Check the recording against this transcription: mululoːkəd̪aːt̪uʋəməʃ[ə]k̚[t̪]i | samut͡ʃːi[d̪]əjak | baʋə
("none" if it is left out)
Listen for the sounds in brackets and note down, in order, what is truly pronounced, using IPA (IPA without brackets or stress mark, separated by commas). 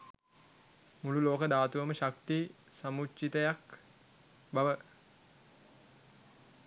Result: a, t̪, t̪